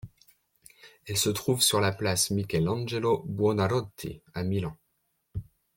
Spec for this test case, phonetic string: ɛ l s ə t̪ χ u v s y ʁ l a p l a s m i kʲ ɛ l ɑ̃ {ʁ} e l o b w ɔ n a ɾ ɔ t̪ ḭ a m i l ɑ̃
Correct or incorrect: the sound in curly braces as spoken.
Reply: incorrect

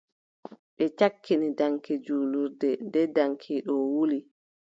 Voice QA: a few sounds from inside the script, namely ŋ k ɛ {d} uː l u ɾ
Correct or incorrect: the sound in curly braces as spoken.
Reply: incorrect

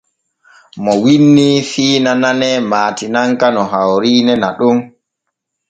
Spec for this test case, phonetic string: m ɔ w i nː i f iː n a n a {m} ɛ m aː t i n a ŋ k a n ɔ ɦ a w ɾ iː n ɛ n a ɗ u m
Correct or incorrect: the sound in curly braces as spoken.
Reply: incorrect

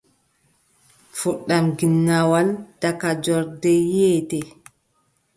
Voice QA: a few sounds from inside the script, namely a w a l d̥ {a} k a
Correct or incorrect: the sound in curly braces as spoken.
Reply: correct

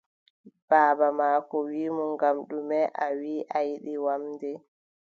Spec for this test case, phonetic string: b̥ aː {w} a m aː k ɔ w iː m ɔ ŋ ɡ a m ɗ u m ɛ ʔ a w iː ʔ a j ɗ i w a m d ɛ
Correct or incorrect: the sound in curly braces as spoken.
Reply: incorrect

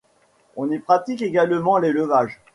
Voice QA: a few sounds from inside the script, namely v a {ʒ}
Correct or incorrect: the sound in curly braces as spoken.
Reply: correct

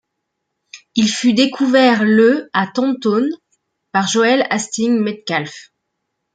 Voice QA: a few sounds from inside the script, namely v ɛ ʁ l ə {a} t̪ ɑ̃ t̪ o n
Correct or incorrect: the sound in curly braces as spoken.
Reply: correct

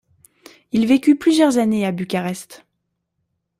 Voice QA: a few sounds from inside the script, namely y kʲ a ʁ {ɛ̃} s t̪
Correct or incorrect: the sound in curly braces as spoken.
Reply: incorrect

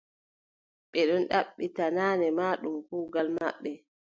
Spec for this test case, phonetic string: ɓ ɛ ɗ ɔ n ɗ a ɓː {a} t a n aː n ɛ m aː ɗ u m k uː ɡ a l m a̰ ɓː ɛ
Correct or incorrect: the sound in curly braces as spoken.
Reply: incorrect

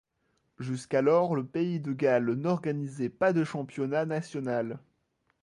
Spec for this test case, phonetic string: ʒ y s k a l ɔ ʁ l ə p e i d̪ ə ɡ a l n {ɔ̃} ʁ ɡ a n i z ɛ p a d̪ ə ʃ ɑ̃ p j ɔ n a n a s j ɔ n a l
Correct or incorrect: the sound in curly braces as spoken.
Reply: incorrect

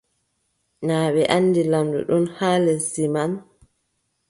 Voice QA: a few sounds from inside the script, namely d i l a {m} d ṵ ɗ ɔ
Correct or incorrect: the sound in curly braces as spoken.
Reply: correct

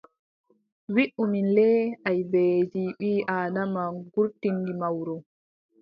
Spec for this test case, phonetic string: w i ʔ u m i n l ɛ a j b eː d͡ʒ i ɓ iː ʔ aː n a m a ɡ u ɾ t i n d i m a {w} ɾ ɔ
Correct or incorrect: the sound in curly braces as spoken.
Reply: correct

